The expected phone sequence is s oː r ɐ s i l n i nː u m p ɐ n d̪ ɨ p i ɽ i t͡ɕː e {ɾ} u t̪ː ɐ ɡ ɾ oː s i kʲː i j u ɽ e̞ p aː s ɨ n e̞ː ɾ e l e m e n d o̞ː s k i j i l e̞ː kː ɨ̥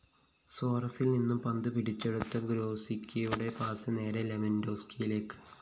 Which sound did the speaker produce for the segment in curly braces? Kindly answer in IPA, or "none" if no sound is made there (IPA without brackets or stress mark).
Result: ɽ